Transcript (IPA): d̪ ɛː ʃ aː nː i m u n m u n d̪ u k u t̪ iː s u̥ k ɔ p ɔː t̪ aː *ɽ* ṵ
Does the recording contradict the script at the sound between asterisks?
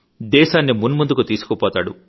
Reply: no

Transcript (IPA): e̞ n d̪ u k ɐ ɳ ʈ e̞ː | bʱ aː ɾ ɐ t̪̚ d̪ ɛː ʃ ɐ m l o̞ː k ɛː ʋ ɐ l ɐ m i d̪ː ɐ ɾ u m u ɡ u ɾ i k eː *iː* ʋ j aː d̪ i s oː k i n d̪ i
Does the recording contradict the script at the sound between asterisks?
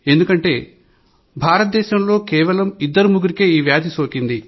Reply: no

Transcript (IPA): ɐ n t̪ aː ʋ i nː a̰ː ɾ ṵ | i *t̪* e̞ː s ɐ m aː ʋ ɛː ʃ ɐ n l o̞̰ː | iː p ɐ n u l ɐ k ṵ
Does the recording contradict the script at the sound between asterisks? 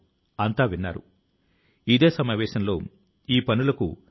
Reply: yes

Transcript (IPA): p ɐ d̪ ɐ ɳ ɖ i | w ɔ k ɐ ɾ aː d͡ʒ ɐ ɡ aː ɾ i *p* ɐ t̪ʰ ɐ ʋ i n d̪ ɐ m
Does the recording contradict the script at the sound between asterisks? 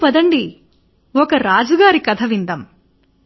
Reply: yes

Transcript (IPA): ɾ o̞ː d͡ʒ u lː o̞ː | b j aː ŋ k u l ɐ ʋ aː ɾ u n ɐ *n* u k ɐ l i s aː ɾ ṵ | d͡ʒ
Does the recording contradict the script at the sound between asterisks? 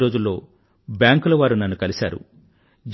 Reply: yes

